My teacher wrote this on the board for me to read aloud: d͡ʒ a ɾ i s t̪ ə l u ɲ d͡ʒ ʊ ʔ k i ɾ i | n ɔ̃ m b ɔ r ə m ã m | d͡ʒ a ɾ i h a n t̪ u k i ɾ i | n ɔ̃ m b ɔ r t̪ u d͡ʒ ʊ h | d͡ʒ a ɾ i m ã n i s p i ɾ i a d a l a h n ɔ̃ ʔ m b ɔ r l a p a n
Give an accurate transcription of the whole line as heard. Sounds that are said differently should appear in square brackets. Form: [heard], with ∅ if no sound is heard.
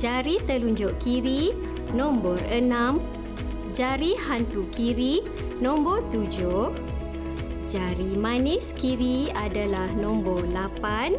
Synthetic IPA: d͡ʒ a ɾ i [∅] t̪ ə l u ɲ d͡ʒ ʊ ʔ k i ɾ i | n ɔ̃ m b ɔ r ə [n] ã m | d͡ʒ a ɾ i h a n t̪ u k i ɾ i | n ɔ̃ m b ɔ r t̪ u d͡ʒ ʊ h | d͡ʒ a ɾ i m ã n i s [k] i ɾ i a d a l a h n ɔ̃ [∅] m b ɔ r l a p a n